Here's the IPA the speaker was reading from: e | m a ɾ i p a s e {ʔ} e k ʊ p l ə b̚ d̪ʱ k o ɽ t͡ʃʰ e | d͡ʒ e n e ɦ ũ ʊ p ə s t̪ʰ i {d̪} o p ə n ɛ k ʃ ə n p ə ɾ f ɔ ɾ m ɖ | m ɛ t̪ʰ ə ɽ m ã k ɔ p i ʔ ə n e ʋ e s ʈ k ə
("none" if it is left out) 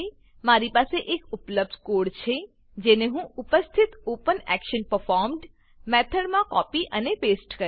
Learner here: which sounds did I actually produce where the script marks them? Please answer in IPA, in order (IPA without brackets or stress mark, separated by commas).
ʔ, t̪